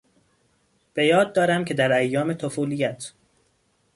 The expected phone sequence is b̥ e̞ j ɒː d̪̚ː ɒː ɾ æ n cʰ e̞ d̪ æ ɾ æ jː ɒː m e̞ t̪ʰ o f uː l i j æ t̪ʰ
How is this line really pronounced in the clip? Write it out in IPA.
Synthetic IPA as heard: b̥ e̞ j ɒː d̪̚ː ɒː ɾ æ m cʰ e̞ d̪ æ ɾ æ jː ɒː m e̞ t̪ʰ o f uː l i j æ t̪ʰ